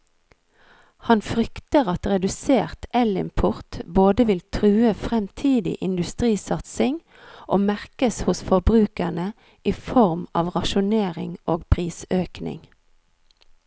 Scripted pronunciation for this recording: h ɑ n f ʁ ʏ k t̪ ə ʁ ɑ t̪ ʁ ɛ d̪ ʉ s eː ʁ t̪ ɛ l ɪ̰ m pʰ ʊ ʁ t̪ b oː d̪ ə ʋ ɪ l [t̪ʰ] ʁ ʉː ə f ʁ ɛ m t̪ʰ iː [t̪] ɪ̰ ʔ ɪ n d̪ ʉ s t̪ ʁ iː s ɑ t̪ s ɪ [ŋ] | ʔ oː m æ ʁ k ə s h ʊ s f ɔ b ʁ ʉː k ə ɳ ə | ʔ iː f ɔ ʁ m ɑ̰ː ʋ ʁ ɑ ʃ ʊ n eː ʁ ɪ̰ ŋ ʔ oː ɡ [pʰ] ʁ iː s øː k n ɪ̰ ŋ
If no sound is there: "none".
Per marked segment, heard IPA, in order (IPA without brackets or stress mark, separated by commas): t̪ʰ, d̪, ŋ, pʰ